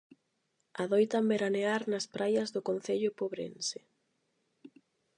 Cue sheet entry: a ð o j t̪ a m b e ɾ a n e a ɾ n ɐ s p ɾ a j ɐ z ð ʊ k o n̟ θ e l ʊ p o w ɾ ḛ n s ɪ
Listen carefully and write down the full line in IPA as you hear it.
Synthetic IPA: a ð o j t̪ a m b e ɾ a n e a ɾ n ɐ s p ɾ a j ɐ z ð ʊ k o n̟ θ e ʎ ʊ p o β ɾ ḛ n s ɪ